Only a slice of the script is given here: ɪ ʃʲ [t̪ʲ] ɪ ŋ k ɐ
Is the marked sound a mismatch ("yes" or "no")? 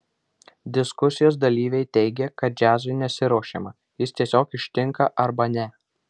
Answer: no